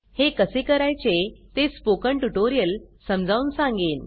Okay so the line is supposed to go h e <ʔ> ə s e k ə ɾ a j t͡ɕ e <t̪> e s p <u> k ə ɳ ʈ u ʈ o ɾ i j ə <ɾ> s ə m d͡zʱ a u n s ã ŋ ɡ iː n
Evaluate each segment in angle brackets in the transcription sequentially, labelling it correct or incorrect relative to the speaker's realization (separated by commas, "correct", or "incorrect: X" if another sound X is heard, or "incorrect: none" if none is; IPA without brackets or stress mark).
incorrect: k, correct, incorrect: o, incorrect: l